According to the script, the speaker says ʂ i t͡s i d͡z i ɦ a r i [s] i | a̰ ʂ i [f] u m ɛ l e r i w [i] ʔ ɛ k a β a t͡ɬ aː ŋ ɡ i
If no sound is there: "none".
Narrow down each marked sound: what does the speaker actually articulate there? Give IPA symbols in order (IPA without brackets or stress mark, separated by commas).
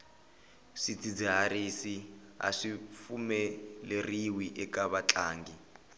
s, f, i